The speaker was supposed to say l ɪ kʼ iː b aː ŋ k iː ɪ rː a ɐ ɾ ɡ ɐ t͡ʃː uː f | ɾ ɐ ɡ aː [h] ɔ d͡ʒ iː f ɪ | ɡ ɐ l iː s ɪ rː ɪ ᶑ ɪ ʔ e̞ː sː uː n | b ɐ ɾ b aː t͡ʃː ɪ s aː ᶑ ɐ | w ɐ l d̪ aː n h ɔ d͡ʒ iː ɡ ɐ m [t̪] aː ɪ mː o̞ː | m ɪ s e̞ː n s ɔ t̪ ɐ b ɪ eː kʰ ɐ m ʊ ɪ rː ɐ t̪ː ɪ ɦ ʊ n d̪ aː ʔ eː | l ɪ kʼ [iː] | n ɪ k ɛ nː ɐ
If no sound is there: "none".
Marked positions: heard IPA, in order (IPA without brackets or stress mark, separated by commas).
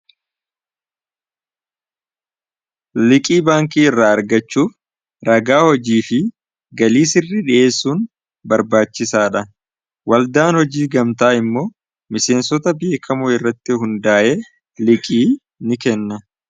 h, t̪, iː